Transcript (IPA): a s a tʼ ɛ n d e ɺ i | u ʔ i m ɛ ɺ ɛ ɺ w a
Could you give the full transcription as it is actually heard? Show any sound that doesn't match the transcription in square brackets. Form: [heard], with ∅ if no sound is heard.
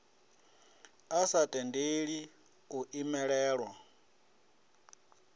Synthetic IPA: a s a tʼ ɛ n d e ɺ i | u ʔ i m ɛ ɺ [ɛː] ɺ w a